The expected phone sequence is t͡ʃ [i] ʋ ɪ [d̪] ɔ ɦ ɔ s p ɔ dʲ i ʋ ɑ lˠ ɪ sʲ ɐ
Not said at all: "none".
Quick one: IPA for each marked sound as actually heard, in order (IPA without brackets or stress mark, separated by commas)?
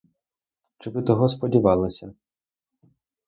ɪ, t̪